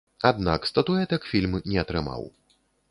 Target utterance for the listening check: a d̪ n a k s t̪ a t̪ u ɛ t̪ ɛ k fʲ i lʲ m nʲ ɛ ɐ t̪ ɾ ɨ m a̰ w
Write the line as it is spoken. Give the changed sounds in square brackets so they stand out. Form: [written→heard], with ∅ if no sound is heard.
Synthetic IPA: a d̪ n a k s t̪ [a→ɐ] t̪ u ɛ t̪ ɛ k fʲ i lʲ m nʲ ɛ ɐ t̪ ɾ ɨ m a̰ w